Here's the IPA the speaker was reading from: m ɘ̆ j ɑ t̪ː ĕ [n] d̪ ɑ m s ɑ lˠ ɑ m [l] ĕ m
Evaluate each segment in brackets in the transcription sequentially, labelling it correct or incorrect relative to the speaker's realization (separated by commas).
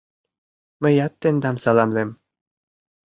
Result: correct, correct